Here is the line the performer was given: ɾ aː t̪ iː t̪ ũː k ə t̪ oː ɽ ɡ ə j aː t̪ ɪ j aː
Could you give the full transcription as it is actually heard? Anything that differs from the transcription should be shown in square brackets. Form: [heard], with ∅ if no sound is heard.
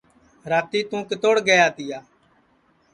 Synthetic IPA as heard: ɾ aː t̪ iː t̪ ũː k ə t̪ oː ɽ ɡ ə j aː t̪ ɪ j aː